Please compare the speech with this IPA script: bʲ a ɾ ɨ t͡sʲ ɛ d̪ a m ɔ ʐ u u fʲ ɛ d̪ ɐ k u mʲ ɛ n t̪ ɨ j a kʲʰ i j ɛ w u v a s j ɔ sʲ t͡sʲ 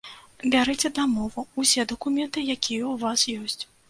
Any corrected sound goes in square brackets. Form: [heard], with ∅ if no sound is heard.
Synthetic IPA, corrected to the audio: bʲ a ɾ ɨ t͡sʲ ɛ d̪ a m ɔ [v] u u [sʲ] ɛ d̪ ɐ k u mʲ ɛ n t̪ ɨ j a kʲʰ i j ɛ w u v a s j ɔ sʲ t͡sʲ

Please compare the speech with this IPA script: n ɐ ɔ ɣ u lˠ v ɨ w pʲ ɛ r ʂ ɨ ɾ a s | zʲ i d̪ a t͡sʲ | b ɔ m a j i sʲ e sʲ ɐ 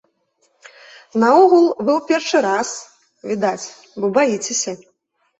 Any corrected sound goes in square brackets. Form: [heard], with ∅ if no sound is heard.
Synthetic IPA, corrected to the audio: n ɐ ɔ ɣ u lˠ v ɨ w pʲ ɛ r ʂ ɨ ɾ a s | [vʲ] i d̪ a t͡sʲ | b ɔ [b] a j i [t͡sʲ] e sʲ ɐ

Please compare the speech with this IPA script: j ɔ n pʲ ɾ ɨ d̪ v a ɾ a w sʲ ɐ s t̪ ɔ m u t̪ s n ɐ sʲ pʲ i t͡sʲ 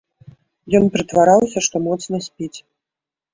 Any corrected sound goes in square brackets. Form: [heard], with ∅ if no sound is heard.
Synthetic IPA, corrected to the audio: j ɔ n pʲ ɾ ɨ [t̪] v a ɾ a w sʲ ɐ [ʂ] t̪ ɔ m [ɔ] t̪ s n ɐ sʲ pʲ i t͡sʲ

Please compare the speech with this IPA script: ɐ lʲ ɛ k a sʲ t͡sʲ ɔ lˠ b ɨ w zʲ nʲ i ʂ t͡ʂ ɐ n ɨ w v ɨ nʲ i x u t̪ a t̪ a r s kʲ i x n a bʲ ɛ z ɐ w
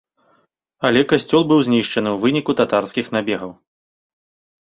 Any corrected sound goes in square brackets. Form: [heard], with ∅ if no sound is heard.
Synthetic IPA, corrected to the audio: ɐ lʲ ɛ k a sʲ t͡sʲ ɔ lˠ b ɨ w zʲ nʲ i ʂ t͡ʂ ɐ n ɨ w v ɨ nʲ i [k] u t̪ a t̪ a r s kʲ i x n a bʲ ɛ [ɣ] ɐ w

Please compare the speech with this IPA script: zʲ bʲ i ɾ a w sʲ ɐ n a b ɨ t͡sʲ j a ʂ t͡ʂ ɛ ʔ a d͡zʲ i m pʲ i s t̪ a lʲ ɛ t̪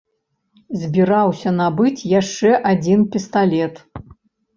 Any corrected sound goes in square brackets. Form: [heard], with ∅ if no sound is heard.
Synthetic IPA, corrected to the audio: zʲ bʲ i ɾ a w sʲ ɐ n a b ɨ t͡sʲ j a ʂ t͡ʂ ɛ ʔ a d͡zʲ i [n] pʲ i s t̪ a lʲ ɛ t̪

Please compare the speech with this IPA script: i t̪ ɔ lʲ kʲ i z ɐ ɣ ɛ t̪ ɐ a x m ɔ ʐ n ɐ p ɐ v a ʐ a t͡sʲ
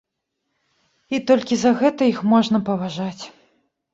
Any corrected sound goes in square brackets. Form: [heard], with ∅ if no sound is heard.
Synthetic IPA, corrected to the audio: i t̪ ɔ lʲ kʲ i z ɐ ɣ ɛ t̪ ɐ [i] x m ɔ ʐ n ɐ p ɐ v a ʐ a t͡sʲ

